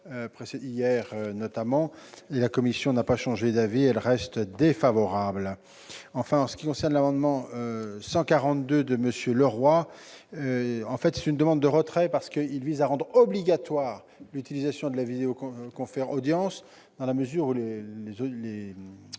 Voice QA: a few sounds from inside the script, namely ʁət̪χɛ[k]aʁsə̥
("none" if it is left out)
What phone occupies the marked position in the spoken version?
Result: p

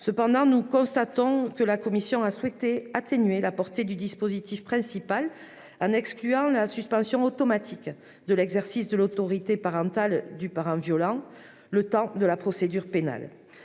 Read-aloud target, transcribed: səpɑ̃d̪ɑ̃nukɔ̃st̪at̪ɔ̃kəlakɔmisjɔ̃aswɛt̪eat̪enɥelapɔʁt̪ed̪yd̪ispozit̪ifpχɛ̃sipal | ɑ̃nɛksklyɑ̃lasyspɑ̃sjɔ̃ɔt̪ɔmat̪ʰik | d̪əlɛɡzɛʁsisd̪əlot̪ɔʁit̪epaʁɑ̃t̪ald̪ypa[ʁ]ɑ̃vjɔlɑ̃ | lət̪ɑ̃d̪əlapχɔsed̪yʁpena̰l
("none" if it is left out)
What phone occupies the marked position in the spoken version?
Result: ʁ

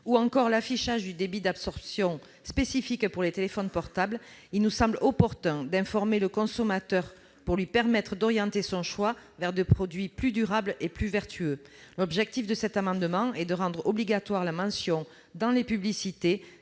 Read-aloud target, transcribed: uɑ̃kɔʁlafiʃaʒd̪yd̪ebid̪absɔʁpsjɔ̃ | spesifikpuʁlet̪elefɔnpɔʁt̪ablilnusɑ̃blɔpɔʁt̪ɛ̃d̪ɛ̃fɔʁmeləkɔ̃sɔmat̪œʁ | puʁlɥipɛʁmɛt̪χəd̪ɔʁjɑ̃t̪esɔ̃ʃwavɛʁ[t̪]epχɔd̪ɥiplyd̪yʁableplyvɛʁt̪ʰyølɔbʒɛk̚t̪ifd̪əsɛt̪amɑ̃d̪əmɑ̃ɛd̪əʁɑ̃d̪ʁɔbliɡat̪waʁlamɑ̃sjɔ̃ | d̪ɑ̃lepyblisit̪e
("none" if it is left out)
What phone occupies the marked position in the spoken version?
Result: d̪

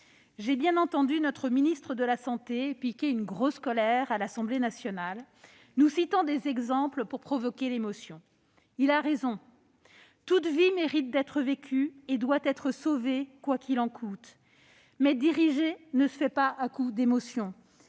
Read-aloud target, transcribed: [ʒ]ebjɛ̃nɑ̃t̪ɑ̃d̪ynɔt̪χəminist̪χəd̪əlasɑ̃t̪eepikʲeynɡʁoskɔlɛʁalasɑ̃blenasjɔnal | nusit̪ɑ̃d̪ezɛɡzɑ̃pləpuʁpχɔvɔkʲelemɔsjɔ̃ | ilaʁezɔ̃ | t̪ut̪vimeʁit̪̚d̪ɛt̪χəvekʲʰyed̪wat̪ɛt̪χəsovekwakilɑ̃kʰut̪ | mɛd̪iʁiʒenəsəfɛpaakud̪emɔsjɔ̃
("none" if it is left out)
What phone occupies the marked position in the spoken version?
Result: ʒ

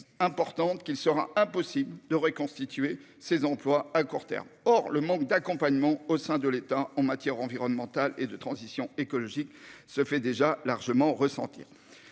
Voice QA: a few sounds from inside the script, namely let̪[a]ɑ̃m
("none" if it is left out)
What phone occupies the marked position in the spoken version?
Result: a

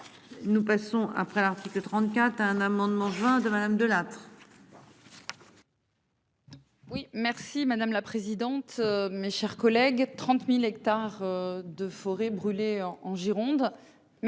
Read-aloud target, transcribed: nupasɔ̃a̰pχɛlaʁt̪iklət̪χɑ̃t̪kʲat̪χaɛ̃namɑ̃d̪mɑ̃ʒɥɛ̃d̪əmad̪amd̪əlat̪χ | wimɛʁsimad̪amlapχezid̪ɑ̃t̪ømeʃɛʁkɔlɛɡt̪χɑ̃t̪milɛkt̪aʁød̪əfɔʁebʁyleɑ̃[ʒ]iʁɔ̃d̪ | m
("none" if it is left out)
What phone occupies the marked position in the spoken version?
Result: ʒ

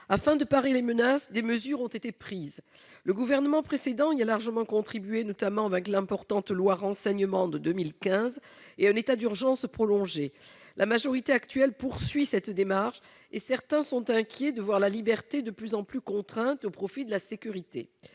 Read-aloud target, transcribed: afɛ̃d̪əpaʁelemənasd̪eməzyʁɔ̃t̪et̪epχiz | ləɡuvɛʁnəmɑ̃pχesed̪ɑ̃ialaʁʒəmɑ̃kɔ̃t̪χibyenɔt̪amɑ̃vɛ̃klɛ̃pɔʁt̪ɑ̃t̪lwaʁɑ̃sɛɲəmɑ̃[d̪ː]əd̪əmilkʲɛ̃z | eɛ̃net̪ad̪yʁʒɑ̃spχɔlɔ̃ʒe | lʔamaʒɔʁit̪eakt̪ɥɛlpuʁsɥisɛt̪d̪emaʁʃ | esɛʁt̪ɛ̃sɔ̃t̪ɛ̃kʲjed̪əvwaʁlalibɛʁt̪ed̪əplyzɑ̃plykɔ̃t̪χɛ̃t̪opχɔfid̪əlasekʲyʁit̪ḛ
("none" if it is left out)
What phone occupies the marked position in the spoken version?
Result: d̪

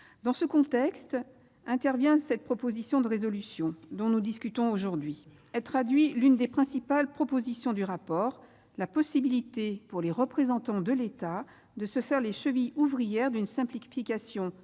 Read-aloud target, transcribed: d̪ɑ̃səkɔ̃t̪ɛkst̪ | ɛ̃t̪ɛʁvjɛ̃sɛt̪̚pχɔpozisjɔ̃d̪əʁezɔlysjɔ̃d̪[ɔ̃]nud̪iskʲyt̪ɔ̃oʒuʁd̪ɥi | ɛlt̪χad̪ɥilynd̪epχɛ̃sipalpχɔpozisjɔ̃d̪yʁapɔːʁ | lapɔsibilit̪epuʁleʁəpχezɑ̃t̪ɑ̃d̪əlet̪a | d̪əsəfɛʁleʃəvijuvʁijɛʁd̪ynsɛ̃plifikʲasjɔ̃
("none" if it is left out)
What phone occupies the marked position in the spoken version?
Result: ɔ̃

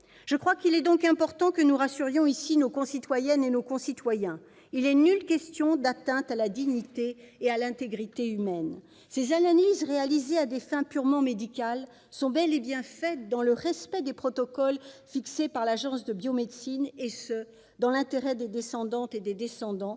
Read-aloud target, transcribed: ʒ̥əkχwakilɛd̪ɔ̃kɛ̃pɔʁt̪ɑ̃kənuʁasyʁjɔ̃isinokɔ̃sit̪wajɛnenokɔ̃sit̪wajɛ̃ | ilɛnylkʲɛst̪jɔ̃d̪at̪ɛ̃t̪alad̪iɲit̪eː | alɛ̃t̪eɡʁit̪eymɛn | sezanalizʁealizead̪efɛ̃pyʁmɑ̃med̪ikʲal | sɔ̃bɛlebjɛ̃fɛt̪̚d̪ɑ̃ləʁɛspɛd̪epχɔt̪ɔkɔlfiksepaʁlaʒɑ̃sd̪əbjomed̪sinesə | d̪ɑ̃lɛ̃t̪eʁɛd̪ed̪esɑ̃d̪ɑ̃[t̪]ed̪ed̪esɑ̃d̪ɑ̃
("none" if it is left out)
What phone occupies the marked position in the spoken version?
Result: t̪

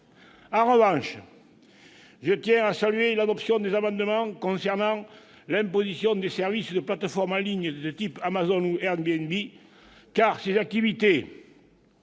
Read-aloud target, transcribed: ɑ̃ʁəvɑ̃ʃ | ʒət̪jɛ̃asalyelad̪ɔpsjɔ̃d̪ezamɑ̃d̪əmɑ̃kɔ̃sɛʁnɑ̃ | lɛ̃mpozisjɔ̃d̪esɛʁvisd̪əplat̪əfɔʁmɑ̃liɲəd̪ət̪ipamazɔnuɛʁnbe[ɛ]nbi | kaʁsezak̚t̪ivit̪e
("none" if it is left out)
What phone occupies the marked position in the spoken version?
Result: ɛ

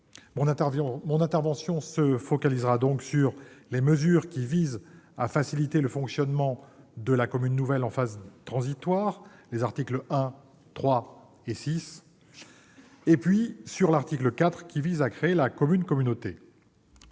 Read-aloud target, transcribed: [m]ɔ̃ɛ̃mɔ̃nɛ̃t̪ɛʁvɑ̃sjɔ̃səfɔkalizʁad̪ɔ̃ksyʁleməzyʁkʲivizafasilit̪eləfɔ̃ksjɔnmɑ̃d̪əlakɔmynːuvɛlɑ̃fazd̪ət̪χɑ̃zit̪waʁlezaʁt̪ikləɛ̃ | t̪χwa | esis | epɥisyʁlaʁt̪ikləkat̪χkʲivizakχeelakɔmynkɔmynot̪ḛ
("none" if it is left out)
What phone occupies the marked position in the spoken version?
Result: m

